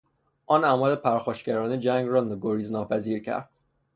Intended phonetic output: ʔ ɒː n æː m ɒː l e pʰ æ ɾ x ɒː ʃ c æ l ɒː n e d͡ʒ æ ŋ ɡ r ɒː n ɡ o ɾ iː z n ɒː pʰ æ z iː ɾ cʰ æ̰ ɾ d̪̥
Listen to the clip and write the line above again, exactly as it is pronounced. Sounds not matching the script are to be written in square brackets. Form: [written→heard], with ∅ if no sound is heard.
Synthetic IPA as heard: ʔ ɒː n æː m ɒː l e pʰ æ ɾ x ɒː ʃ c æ [l→ɾ] ɒː n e d͡ʒ æ ŋ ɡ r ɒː n ɡ o ɾ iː z n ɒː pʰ æ z iː ɾ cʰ æ̰ ɾ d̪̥